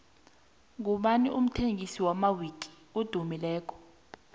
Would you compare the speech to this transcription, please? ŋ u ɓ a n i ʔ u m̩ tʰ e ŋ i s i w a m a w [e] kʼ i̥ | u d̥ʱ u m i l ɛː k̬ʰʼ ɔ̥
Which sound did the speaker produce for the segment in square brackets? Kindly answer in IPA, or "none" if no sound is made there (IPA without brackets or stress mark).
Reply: i